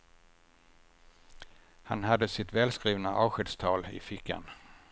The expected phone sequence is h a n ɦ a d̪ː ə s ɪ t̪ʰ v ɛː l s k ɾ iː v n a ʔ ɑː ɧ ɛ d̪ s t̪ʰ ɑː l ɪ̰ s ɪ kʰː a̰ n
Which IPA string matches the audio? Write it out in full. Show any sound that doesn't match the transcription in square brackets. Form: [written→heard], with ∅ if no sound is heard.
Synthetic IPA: h a n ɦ a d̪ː ə s ɪ [t̪ʰ→t̪] v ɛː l s k ɾ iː v n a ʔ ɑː ɧ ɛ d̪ s t̪ʰ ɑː l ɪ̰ [s→f] ɪ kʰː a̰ n